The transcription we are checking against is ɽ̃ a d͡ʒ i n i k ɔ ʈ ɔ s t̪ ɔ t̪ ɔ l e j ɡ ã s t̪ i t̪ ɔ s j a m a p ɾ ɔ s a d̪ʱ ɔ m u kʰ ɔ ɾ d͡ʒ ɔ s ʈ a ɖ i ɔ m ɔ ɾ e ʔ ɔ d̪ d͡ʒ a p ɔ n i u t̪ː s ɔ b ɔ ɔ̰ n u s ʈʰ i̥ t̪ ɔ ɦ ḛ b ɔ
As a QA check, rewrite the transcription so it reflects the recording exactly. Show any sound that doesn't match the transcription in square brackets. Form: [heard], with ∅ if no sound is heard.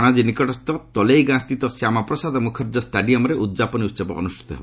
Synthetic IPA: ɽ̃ a d͡ʒ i n i k ɔ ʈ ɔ s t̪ ɔ t̪ ɔ l e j ɡ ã s t̪ i t̪ ɔ s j a m a p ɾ ɔ s a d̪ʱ ɔ m u kʰ ɔ ɾ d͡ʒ ɔ s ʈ a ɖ i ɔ m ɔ ɾ e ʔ [u] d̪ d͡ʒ a p ɔ n i u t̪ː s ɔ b ɔ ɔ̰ n u s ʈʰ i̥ t̪ ɔ ɦ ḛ b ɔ